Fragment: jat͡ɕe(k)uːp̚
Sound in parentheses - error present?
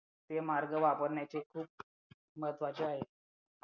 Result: yes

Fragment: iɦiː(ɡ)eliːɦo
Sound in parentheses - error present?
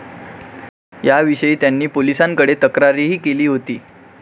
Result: yes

